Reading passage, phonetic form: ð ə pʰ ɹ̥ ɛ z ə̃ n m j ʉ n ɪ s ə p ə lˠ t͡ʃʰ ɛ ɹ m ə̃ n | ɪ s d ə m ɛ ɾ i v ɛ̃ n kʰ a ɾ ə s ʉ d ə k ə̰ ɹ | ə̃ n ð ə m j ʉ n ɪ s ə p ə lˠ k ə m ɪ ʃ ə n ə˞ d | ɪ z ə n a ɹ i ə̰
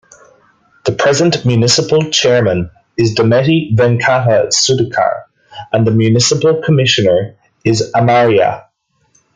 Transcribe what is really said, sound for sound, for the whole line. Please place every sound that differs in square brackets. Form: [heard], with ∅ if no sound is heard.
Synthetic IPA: ð ə pʰ ɹ̥ ɛ z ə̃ n m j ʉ n ɪ s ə p ə lˠ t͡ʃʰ ɛ ɹ m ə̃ n | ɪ [z] d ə m ɛ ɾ i v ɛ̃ n kʰ a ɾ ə s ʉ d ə [kʰ] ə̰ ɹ | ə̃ n ð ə m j ʉ n ɪ s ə p ə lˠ [kʰ] ə m ɪ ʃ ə n ə˞ [∅] | ɪ z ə [m] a ɹ i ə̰